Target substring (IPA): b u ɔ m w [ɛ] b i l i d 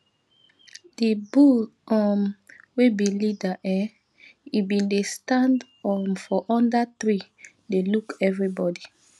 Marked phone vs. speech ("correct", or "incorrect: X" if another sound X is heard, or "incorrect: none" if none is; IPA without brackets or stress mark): incorrect: e